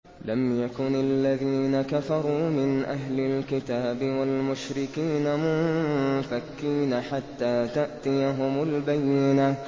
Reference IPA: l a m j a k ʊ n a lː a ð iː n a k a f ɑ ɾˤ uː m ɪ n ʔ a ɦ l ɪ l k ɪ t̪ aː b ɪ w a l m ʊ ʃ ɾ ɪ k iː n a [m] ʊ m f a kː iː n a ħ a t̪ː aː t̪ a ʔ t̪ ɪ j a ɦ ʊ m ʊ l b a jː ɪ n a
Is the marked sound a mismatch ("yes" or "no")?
no